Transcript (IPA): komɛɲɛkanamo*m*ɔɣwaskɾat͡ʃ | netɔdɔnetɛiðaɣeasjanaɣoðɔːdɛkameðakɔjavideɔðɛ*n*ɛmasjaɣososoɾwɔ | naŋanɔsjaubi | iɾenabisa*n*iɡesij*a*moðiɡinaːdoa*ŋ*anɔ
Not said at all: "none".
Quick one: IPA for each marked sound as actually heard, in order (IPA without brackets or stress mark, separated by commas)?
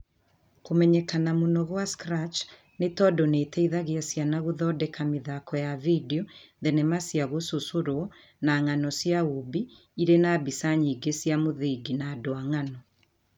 n, n, ɲ, a, ŋ